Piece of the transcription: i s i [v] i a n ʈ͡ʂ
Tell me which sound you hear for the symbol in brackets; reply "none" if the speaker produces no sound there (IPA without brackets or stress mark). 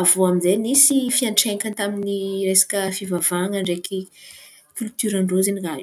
f